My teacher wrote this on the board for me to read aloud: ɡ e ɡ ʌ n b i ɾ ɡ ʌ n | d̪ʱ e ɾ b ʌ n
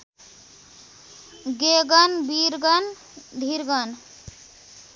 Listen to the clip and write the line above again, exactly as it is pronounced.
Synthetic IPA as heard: ɡ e ɡ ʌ n b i ɾ ɡ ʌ n | d̪ʱ i ɾ ɡ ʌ n